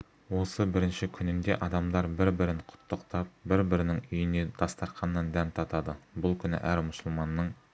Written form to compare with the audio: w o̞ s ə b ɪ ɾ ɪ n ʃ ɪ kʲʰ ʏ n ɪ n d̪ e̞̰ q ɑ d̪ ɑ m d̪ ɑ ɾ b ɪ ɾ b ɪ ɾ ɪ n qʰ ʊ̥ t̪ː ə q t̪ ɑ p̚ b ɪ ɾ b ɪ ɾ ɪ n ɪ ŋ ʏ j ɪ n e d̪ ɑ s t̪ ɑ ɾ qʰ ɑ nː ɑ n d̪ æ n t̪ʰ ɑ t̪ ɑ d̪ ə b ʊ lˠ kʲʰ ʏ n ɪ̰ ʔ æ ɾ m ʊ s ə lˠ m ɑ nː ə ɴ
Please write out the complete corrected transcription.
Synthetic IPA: w o̞ s ə b ɪ ɾ ɪ n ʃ ɪ kʲʰ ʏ n ɪ n d̪ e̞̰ ʔ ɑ d̪ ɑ m d̪ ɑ ɾ b ɪ ɾ b ɪ ɾ ɪ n qʰ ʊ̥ t̪ː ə q t̪ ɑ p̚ b ɪ ɾ b ɪ ɾ ɪ n ɪ ŋ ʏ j ɪ n e d̪ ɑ s t̪ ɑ ɾ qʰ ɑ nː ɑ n d̪ æ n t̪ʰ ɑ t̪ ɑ d̪ ə b ʊ lˠ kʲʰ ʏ n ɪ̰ ʔ æ ɾ m ʊ s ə lˠ m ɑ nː ə ɴ